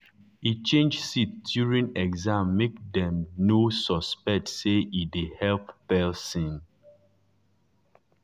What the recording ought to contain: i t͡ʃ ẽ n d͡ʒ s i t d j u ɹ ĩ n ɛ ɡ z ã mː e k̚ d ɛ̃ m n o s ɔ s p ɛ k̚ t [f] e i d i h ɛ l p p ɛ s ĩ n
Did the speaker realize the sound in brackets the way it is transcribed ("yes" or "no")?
no